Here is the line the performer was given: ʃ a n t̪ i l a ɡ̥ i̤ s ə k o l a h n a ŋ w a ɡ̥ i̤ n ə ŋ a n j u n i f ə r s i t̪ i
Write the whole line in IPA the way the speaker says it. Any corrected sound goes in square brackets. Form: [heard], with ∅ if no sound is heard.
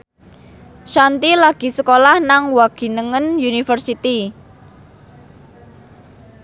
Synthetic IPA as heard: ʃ a n t̪ i l a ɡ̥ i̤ s ə k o l a h n a ŋ w a ɡ̥ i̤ n ə ŋ [ə] n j u n i f ə r s i t̪ i